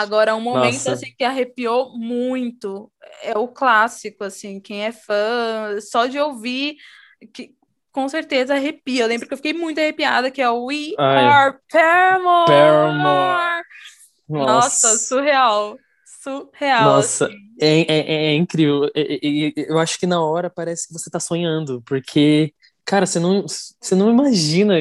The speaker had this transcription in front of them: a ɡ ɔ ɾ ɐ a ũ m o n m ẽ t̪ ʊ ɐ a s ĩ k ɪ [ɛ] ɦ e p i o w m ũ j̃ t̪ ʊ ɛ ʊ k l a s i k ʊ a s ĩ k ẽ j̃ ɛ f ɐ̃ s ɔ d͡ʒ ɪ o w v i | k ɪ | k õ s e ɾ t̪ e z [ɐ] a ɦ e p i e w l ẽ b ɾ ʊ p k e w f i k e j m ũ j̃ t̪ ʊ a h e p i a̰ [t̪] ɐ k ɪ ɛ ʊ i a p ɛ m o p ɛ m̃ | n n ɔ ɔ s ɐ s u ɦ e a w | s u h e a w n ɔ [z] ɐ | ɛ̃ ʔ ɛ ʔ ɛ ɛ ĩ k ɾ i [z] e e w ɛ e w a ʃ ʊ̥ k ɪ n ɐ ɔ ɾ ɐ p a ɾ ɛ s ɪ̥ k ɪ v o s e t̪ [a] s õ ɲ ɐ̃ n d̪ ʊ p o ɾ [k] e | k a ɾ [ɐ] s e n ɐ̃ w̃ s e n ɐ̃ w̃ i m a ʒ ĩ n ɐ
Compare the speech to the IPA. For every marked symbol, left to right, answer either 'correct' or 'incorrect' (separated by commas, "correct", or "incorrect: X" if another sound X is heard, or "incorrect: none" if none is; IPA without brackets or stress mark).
incorrect: a, correct, incorrect: d̪, incorrect: s, incorrect: v, correct, incorrect: kʰ, correct